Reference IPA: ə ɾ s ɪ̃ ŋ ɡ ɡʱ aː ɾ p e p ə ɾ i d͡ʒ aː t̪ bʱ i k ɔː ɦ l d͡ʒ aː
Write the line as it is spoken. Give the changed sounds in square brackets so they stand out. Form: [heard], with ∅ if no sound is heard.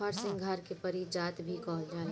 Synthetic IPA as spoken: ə ɾ s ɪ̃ ŋ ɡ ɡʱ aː ɾ [k] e p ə ɾ i d͡ʒ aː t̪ bʱ i k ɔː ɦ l d͡ʒ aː